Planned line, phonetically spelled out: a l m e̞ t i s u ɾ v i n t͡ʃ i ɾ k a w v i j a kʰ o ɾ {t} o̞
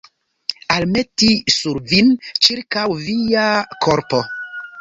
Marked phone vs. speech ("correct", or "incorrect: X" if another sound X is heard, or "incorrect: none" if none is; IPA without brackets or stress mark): incorrect: p